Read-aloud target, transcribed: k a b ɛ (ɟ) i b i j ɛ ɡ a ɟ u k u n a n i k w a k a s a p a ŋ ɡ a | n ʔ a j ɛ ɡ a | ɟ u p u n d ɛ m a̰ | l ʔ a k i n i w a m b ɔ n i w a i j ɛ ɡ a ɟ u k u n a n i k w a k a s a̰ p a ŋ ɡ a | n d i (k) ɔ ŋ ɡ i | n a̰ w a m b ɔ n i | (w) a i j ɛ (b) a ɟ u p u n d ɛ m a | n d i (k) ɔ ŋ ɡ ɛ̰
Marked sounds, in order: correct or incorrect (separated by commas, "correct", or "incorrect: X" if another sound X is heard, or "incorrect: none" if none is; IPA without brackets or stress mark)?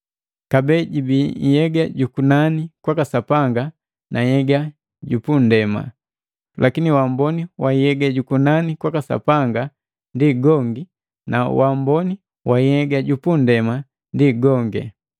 correct, incorrect: ɡ, correct, incorrect: ɡ, incorrect: ɡ